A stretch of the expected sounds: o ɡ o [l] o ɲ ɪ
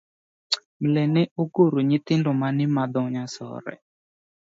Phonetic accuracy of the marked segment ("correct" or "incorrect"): incorrect